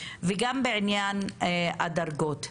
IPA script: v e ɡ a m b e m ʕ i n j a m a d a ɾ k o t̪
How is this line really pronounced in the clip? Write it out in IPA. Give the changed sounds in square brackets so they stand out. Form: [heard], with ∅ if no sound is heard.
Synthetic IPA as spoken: v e ɡ a m b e [∅] ʕ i n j a [n] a d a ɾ [ɡ] o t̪